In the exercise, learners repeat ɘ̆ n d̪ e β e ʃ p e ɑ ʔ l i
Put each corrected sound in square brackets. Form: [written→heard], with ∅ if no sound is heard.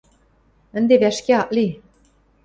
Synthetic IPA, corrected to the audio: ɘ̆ n d̪ e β [e→æ] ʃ [p→k] e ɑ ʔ l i